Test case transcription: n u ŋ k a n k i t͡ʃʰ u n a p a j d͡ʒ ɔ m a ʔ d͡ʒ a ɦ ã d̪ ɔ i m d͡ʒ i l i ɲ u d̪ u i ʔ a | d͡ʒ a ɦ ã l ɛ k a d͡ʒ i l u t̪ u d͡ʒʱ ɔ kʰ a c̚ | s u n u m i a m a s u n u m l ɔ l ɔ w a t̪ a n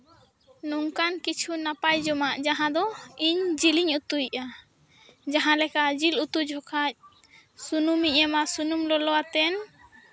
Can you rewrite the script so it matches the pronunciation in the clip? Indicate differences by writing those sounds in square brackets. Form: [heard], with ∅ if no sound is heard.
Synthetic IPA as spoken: n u ŋ k a n k i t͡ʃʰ u n a p a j d͡ʒ ɔ m a ʔ d͡ʒ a ɦ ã d̪ ɔ i [ɲ] d͡ʒ i l i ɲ u [t̪] u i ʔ a | d͡ʒ a ɦ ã l ɛ k a d͡ʒ i l u t̪ u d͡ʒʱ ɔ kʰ a c̚ | s u n u m i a m a s u n u m l ɔ l ɔ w a t̪ [ɛ] n